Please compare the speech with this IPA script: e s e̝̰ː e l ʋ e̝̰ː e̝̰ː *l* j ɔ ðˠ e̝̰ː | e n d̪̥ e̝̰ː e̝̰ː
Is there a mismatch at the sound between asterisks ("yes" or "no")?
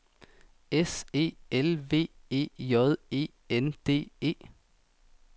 yes